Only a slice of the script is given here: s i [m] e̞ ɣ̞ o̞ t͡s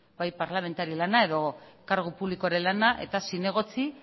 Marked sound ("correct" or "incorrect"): incorrect